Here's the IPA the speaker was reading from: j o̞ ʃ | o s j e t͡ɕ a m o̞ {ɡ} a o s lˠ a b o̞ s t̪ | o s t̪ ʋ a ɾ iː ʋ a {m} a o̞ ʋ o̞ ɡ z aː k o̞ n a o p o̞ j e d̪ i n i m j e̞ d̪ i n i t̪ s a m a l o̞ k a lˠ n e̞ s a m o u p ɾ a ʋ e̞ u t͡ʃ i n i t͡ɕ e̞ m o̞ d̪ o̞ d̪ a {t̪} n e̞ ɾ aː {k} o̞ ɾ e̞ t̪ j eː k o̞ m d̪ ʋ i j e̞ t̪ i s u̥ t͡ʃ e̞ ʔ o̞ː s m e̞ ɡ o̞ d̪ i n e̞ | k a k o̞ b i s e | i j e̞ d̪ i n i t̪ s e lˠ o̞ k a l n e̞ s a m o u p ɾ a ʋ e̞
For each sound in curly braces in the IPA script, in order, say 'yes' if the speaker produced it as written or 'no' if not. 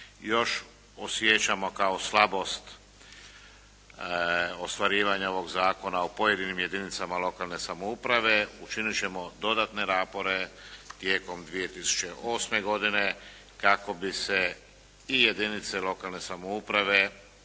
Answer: no, no, yes, no

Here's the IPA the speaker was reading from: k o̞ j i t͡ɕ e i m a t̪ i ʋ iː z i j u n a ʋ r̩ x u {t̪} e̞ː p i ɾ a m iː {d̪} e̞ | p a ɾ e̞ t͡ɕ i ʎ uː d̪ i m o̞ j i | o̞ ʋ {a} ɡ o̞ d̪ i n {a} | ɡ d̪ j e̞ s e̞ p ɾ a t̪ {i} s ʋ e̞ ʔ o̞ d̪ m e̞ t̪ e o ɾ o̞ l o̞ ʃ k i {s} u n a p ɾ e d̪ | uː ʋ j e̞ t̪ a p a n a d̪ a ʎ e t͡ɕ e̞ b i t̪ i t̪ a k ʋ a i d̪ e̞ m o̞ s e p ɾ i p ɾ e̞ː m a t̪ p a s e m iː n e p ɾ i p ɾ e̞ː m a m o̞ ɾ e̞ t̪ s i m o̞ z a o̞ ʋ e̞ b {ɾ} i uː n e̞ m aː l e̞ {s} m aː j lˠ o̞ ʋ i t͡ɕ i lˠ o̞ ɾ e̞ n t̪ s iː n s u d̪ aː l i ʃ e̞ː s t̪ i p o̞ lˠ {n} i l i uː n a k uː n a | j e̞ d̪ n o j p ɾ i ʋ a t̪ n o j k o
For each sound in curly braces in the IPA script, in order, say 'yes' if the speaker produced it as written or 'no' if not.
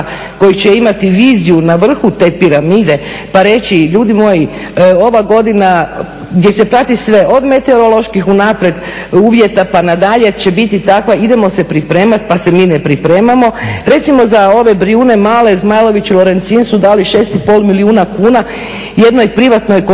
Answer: yes, yes, yes, yes, yes, no, yes, no, no

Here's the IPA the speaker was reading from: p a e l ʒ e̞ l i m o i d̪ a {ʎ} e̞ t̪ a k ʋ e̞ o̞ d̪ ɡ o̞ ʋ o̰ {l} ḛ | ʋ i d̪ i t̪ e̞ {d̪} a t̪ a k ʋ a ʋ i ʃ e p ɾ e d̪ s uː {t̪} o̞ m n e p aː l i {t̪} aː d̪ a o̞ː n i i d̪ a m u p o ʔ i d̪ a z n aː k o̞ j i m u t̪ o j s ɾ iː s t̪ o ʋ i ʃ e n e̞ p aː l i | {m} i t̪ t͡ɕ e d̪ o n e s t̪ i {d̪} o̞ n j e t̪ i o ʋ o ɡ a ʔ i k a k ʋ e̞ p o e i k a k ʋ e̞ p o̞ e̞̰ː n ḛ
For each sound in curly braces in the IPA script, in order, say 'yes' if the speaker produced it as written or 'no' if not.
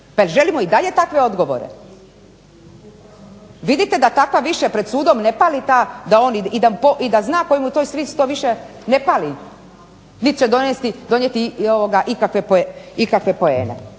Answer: yes, no, yes, no, yes, no, yes

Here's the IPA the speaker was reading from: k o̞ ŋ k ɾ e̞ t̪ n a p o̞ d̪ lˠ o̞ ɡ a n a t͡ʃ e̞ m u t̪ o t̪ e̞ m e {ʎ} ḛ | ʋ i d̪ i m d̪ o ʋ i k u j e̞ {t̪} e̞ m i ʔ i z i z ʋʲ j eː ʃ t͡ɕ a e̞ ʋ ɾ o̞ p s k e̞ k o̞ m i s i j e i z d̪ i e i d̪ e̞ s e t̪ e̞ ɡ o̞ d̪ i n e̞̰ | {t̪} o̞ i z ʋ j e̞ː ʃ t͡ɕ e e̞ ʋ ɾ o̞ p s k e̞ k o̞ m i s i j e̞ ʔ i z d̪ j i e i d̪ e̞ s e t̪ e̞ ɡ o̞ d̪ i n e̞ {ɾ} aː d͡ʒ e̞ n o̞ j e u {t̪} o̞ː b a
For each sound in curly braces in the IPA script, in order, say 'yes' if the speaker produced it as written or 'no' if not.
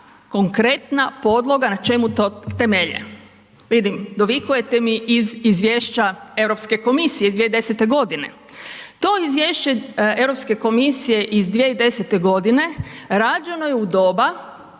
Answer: yes, yes, yes, yes, no

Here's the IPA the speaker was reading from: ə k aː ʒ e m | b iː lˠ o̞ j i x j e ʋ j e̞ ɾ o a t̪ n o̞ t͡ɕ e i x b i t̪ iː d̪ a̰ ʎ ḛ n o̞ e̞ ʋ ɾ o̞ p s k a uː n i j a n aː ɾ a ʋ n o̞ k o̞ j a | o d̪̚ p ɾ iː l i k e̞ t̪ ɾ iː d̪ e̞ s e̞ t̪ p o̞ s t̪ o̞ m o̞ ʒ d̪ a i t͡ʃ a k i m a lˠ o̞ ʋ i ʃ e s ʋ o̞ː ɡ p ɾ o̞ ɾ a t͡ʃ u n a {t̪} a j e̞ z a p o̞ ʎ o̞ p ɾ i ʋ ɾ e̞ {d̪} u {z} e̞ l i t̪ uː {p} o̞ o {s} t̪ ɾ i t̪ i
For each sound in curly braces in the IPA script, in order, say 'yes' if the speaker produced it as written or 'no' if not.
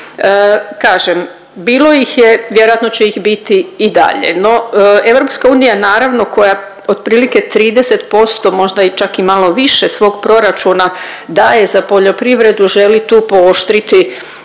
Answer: no, yes, no, yes, no

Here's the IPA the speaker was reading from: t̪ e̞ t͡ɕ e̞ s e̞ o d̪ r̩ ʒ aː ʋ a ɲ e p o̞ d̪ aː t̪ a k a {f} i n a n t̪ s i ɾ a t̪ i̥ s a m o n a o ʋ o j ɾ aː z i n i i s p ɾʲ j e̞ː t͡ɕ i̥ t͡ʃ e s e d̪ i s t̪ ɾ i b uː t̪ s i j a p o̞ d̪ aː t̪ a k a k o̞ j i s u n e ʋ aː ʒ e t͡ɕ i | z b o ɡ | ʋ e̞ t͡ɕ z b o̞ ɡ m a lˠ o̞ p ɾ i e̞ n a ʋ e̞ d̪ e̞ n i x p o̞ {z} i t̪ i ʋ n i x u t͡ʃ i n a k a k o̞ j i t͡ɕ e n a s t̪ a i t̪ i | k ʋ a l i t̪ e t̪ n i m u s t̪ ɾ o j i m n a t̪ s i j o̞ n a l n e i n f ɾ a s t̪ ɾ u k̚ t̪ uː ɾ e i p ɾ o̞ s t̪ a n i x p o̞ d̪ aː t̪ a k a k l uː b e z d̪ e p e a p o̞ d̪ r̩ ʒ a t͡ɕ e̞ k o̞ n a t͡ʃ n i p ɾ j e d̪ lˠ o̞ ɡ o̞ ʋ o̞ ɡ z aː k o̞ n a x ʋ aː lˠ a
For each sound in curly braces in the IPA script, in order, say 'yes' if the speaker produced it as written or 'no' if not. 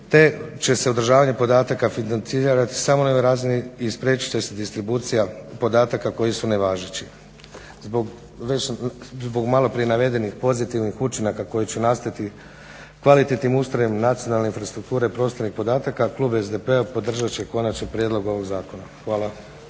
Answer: yes, yes

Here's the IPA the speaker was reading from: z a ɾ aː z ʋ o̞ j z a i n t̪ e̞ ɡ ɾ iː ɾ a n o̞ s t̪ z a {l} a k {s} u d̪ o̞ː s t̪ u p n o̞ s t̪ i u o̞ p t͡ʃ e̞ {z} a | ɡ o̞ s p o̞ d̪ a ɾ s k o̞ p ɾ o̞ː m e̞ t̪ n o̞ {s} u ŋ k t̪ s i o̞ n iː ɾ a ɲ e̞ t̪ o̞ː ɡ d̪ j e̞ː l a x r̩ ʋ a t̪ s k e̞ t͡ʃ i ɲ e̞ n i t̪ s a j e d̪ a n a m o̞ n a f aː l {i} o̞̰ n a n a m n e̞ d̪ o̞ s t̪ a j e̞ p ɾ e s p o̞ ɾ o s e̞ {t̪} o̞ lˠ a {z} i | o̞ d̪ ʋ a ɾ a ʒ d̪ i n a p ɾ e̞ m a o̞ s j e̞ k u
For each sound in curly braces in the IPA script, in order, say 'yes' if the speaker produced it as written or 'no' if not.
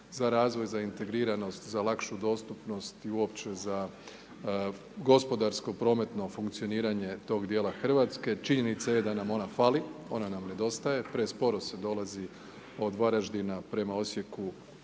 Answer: yes, no, yes, no, yes, no, yes

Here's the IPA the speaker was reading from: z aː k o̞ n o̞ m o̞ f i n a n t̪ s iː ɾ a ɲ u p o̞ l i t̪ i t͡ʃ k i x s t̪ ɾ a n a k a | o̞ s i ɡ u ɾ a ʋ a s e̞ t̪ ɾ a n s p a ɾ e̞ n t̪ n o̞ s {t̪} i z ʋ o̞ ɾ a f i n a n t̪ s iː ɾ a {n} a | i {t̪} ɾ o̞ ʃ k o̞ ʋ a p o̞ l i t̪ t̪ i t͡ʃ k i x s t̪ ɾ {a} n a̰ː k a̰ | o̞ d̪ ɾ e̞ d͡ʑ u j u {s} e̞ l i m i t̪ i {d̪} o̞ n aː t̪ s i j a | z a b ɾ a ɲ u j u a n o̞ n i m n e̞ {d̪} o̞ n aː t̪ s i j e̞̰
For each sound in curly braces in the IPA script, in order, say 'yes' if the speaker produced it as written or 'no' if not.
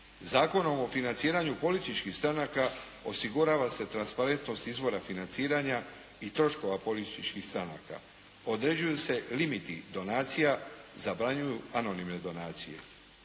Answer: yes, no, yes, yes, yes, yes, yes

